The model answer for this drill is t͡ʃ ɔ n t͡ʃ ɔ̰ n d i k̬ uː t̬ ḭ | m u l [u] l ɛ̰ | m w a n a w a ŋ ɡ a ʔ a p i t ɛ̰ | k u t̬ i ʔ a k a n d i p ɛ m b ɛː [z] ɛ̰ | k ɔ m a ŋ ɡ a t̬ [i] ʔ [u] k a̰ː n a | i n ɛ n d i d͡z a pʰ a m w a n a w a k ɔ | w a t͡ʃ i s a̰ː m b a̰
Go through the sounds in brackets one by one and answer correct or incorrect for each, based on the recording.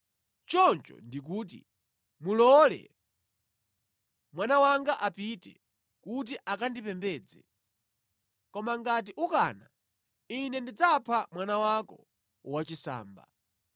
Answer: incorrect: ɔ, incorrect: d͡z, correct, correct

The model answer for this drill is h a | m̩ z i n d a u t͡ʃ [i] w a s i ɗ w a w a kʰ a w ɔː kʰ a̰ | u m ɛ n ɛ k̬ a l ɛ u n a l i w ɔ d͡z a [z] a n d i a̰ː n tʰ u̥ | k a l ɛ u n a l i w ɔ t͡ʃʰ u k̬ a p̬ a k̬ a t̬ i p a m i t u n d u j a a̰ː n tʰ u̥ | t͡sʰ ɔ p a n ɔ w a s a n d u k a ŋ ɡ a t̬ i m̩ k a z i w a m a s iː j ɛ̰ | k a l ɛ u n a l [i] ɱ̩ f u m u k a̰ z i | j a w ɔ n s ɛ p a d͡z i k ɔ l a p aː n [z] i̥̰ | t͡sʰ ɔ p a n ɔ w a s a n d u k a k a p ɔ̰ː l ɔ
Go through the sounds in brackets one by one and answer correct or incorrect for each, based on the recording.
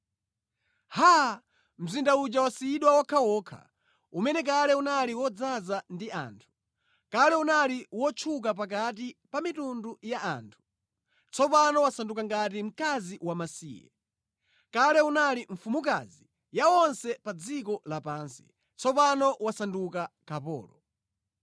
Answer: incorrect: a, correct, correct, incorrect: s

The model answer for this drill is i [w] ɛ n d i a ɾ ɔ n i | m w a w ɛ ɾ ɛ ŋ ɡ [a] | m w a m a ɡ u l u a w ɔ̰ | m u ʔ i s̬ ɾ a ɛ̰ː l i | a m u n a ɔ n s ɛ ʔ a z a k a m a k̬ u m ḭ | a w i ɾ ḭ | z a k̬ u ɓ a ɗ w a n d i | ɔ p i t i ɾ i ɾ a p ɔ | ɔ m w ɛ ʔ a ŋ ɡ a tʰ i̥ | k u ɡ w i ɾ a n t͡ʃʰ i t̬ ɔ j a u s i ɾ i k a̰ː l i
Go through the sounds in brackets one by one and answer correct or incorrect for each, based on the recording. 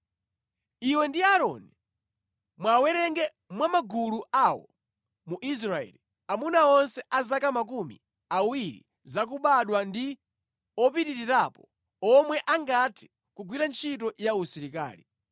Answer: correct, incorrect: ɛ

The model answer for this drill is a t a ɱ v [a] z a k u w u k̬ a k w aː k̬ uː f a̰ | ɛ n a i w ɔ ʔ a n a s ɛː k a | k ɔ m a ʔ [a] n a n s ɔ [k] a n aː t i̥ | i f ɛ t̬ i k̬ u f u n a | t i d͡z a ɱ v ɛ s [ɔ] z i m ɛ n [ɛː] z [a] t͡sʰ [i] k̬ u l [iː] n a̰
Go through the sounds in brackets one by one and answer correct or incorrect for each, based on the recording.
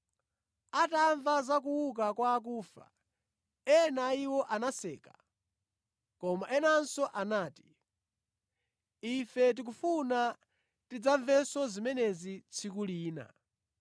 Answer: correct, incorrect: ɛ, incorrect: ʔ, correct, incorrect: ɛ, incorrect: i, correct, correct

